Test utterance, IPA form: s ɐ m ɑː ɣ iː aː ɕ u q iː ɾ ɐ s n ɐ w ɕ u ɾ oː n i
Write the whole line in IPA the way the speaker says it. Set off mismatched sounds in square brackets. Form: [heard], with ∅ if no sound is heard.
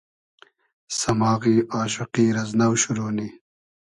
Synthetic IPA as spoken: s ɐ m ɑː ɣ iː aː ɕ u q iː ɾ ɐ [z] n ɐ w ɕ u ɾ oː n i